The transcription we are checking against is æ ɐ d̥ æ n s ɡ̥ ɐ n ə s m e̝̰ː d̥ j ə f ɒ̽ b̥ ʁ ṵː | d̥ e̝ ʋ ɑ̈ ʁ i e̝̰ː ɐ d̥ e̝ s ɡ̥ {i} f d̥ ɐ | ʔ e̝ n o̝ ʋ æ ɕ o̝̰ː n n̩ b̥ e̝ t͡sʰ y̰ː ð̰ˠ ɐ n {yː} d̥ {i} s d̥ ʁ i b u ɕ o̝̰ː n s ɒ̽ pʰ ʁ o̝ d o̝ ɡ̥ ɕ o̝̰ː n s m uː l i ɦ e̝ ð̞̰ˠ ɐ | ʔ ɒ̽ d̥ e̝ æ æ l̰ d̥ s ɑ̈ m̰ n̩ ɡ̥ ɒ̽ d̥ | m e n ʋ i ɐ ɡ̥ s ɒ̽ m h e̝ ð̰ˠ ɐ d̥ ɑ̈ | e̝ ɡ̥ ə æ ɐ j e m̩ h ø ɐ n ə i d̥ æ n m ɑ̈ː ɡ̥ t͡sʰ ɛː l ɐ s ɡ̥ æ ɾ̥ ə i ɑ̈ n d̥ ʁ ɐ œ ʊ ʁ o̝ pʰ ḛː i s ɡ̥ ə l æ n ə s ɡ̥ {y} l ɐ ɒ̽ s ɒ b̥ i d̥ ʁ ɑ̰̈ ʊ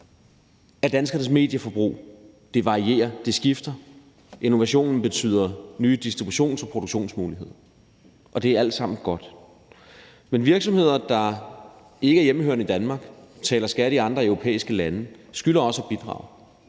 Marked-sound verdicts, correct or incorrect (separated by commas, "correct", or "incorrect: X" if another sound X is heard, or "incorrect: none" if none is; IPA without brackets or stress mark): correct, correct, correct, correct